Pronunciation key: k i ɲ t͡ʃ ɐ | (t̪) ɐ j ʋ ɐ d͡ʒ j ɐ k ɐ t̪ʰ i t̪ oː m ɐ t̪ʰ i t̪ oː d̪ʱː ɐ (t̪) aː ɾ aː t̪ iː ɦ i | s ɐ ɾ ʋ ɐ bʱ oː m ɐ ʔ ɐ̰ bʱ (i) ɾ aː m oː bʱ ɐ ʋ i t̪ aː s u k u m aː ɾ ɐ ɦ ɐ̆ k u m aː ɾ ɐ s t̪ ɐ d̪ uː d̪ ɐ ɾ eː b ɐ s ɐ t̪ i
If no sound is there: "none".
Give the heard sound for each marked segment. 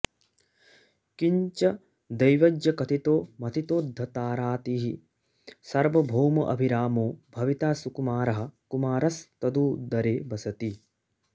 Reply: d̪, t̪, i

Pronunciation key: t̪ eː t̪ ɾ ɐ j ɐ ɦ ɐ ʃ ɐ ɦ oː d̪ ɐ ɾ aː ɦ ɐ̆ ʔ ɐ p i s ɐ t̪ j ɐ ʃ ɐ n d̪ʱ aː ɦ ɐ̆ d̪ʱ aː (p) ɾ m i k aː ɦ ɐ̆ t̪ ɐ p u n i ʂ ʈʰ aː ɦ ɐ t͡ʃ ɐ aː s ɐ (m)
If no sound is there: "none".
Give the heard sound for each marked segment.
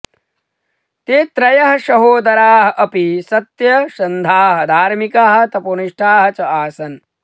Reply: none, n

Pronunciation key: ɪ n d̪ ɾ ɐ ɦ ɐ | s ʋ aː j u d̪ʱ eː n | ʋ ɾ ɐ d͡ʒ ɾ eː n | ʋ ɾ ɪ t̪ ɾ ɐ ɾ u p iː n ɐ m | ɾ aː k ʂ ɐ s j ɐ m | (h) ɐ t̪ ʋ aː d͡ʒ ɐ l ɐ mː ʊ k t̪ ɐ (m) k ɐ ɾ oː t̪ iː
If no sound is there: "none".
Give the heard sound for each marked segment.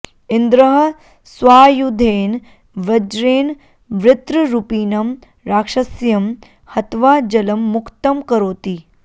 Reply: h, m

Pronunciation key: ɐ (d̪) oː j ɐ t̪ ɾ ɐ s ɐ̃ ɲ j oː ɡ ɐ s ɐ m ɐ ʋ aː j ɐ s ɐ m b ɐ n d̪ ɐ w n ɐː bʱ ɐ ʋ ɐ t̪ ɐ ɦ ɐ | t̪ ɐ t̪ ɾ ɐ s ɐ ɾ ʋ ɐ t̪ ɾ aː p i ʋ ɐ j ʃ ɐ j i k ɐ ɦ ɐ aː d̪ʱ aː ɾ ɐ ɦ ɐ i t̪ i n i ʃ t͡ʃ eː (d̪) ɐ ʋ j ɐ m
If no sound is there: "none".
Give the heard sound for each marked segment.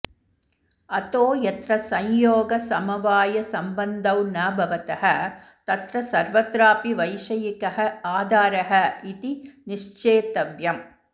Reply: t̪, t̪

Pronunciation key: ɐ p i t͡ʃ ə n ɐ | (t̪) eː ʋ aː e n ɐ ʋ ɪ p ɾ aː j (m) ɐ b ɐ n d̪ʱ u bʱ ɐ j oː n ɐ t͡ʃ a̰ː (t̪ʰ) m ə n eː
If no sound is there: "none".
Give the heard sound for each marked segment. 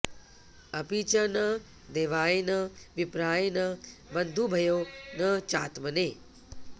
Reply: d̪, n, t̪

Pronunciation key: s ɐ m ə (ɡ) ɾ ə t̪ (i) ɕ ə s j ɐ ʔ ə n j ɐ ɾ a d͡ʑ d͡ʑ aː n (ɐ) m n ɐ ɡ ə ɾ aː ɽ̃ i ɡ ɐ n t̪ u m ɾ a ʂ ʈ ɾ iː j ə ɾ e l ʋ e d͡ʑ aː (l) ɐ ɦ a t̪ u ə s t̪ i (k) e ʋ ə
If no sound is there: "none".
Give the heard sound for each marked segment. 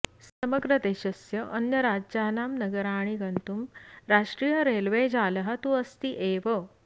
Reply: ɡ, e, a, l, ʔ

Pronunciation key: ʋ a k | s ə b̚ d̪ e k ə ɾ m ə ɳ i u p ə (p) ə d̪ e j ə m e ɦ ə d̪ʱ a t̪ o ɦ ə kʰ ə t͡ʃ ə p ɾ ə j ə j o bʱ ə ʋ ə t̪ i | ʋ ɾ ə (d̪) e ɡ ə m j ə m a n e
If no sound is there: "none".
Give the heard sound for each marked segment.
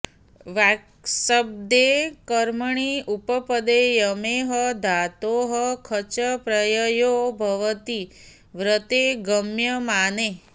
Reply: p, t̪

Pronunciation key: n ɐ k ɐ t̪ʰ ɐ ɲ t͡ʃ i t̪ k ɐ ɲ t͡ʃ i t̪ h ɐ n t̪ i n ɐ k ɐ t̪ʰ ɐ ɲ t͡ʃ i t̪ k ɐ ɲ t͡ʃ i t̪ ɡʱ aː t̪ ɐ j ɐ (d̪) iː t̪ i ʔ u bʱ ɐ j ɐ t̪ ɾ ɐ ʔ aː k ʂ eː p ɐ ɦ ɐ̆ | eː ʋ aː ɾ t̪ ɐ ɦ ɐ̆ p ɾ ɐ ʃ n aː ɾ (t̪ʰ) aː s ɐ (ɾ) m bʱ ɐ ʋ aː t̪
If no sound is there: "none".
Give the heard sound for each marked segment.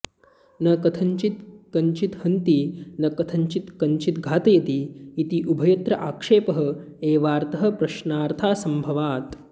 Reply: t̪, t̪ʰ, none

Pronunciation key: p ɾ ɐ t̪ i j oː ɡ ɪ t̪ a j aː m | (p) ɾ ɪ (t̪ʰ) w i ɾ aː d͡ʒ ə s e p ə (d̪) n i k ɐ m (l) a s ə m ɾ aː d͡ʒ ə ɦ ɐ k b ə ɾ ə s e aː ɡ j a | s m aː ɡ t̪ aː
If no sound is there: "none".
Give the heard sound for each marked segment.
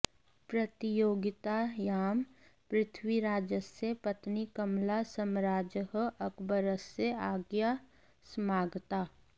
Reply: p, t̪ʰ, t̪, l

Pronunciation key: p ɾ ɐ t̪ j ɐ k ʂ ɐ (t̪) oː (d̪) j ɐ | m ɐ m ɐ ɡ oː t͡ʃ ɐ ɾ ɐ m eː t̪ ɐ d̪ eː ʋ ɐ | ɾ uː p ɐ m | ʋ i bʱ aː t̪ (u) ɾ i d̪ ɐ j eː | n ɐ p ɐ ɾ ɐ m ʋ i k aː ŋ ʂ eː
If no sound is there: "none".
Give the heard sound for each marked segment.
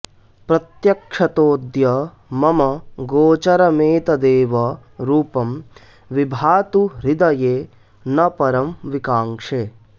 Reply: t̪, d̪, u

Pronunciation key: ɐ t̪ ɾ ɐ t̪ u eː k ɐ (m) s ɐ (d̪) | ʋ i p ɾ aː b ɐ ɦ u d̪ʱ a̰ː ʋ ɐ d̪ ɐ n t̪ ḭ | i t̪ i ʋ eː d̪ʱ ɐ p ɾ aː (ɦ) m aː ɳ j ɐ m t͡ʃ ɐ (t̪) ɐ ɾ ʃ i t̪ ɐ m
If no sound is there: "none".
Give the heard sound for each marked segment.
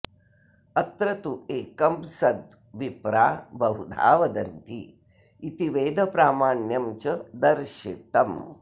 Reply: m, d̪, none, d̪

